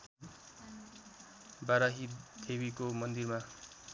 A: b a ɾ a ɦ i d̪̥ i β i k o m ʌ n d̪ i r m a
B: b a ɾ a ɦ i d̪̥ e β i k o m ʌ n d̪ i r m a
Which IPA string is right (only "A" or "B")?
B